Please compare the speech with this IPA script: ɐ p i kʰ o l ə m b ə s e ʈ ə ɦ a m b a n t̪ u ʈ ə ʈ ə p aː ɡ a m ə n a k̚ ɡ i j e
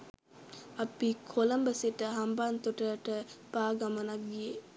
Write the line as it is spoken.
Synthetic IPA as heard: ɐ p i kʰ o l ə m b ə s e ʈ ə ɦ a m b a n t̪ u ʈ ə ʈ ə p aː ɡ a m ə n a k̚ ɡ i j e